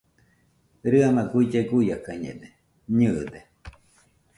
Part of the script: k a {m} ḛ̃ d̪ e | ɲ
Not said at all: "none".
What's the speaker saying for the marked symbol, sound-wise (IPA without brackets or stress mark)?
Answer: ɲ